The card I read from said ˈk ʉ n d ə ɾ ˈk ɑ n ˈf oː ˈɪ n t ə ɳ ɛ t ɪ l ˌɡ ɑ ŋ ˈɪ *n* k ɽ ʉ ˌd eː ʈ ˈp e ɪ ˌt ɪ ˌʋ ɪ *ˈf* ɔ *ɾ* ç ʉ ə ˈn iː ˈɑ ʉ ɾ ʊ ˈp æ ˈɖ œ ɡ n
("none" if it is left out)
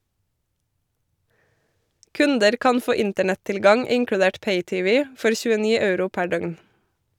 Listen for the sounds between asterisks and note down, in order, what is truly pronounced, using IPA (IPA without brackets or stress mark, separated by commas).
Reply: ŋ, f, ɾ